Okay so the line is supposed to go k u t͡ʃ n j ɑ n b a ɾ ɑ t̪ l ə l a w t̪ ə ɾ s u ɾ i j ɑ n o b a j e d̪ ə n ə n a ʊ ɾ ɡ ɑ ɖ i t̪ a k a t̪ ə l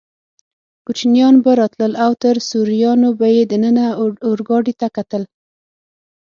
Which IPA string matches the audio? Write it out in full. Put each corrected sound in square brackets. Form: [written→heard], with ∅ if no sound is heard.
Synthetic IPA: k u t͡ʃ n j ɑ n b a ɾ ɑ t̪ l ə l a w t̪ ə ɾ s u ɾ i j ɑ n o b a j e d̪ ə n ə n a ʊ ɾ ɡ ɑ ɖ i t̪ a k a t̪ ə l

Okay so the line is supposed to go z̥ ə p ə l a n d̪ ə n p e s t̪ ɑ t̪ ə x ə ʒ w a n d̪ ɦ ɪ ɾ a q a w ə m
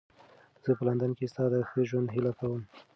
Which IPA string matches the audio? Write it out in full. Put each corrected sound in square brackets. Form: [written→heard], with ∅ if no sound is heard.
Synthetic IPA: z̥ ə p ə l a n d̪ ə n [p→k] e s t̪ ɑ [t̪→d̪] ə x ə ʒ w a n d̪ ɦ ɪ [ɾ→l] a [q→k] a w ə m

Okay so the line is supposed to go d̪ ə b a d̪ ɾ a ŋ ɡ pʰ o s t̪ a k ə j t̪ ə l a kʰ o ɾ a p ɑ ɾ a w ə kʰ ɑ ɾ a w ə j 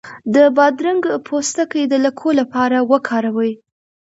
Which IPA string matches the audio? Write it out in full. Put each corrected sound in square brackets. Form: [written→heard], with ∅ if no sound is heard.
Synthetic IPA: d̪ ə b [a→ɑ] d̪ ɾ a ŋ ɡ pʰ o s t̪ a k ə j [t̪→d̪] ə l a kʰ o [ɾ→l] a p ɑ ɾ a w ə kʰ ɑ ɾ a w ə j

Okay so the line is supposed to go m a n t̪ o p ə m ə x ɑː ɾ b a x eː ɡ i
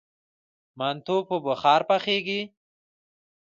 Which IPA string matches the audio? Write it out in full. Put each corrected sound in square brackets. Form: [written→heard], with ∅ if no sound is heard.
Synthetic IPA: m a n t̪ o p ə [m→b] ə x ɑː ɾ [b→p] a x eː ɡ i

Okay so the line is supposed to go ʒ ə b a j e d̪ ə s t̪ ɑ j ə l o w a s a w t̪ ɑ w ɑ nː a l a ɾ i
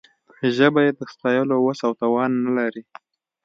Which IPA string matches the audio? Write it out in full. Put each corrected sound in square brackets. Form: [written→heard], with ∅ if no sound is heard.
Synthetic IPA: ʒ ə b a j e d̪ ə s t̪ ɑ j ə l o w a s a w t̪ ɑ w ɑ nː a l a ɾ i

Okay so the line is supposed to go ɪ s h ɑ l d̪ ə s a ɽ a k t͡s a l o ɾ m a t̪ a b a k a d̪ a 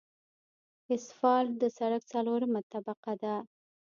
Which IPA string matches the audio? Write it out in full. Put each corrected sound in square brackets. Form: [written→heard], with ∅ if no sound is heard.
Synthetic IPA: ɪ s [h→f] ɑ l d̪ ə s a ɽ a k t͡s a l o ɾ m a t̪ a b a [k→q] a d̪ a

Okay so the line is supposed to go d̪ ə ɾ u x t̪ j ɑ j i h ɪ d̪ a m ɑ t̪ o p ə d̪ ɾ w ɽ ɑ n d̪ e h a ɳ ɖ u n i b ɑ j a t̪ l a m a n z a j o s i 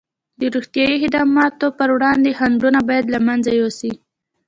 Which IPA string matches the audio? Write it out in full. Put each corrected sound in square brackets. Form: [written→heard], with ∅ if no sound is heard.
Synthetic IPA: d̪ ə ɾ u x t̪ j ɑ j i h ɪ d̪ [a→ɑ] m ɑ t̪ o p ə [d̪→∅] ɾ w ɽ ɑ n d̪ e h a ɳ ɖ u n [i→a] b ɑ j a [t̪→d̪] l a m a n z a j o s i

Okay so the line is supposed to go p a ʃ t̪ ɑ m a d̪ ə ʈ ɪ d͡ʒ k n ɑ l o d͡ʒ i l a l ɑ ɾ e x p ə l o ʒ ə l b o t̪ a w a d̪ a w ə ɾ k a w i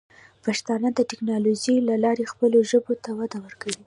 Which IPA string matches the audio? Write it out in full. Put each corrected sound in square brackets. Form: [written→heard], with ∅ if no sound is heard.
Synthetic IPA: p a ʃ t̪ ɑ [m→n] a d̪ ə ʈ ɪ [d͡ʒ→∅] k n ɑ l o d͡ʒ i l a l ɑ ɾ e x p ə l o ʒ ə [l→∅] b o t̪ a w a d̪ a w ə ɾ k a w i

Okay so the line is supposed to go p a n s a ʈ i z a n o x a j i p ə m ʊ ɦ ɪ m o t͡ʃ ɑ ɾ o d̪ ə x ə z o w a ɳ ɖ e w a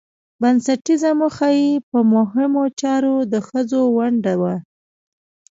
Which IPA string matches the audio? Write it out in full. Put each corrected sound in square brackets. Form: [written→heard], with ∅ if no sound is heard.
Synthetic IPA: [p→b] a n s a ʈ i z a [n→m] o x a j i p ə m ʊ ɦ ɪ m o t͡ʃ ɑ ɾ o d̪ ə x ə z o w a ɳ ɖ [e→a] w a

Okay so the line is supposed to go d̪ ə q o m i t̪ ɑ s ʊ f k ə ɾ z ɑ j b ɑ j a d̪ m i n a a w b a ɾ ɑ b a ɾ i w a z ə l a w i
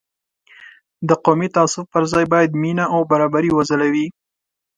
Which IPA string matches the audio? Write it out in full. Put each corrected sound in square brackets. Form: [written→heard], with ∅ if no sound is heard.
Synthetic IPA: d̪ ə q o m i t̪ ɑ s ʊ f [k→p] ə ɾ z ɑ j b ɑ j a d̪ m i n a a w b a ɾ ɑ b a ɾ i w a z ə l a w i

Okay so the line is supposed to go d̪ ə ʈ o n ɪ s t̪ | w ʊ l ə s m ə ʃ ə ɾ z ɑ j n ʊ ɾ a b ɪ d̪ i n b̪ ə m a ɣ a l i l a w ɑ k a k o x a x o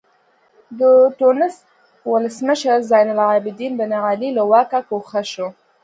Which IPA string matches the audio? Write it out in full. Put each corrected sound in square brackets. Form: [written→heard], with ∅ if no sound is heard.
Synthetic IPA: d̪ ə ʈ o n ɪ s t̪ | w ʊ l ə s m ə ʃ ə ɾ z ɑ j n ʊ [ɾ→l] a b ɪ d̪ i n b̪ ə [m→n] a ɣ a l i l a w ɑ k a k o x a [x→ʃ] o

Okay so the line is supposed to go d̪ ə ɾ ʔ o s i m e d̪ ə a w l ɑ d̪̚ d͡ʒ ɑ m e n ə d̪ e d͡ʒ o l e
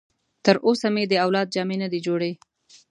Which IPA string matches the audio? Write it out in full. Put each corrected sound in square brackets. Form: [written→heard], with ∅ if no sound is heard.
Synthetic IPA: [d̪→t̪] ə ɾ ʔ o s [i→a] m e d̪ ə a w l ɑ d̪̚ d͡ʒ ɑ m e n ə d̪ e d͡ʒ o [l→ɽ] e

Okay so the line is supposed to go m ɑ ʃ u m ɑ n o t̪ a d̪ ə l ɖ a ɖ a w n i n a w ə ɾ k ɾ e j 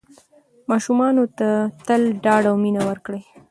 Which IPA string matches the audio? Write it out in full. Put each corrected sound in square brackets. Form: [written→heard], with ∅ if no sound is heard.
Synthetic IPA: m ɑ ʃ u m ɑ n o t̪ a [d̪→t̪] ə l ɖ [a→ɑ] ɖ a w [n→m] i n a w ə ɾ k [ɾ→ɽ] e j

